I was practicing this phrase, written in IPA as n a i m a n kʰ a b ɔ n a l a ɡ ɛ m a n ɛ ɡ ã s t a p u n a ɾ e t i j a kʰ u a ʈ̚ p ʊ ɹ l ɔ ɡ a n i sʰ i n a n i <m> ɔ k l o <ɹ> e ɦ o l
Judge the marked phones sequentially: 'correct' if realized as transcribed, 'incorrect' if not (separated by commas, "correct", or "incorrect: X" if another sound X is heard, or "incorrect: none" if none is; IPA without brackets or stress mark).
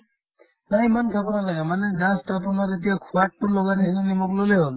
correct, incorrect: l